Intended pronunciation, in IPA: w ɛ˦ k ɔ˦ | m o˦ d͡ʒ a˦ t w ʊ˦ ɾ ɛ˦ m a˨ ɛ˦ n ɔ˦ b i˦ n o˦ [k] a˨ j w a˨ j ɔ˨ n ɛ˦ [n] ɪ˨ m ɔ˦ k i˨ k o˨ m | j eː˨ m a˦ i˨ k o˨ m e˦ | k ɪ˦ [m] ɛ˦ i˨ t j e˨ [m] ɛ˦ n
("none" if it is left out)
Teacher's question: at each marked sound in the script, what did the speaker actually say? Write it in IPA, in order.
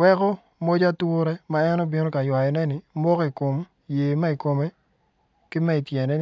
k, n, m, n

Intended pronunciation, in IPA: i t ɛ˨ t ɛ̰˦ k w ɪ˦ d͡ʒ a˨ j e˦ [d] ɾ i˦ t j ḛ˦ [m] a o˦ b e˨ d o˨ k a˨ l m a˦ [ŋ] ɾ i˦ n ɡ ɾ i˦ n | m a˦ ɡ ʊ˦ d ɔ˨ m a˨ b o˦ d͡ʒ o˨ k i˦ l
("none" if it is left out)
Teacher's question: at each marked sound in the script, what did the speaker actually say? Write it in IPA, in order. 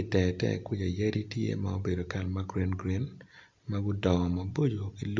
none, m, ɡ

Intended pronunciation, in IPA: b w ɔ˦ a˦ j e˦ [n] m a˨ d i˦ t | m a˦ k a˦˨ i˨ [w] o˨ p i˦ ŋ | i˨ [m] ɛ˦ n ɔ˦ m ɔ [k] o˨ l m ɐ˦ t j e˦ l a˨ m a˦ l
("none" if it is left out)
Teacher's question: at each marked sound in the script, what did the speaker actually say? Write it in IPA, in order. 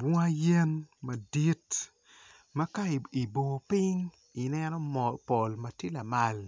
n, b, n, p

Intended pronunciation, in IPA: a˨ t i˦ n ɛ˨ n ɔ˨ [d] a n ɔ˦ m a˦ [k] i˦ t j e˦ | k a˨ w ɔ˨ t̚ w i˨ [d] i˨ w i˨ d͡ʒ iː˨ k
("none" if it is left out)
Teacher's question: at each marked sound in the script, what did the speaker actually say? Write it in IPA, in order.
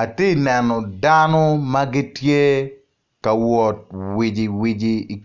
d, ɡ, d͡ʒ

